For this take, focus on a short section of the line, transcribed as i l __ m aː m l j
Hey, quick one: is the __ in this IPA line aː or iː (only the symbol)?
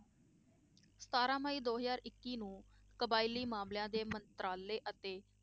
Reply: iː